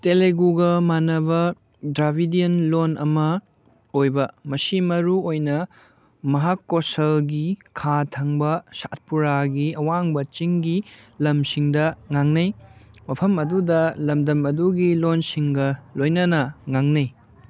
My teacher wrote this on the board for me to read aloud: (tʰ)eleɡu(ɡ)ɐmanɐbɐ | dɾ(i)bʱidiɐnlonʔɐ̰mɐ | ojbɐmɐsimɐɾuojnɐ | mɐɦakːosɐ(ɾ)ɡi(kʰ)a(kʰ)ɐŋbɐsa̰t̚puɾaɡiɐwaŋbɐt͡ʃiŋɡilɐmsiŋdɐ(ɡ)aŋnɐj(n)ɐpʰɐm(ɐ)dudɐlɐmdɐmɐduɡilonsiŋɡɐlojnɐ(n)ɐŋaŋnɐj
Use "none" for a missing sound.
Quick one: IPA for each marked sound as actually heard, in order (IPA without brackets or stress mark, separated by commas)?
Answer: t, ɡ, a, l, kʰ, tʰ, ŋ, m, ɐ, n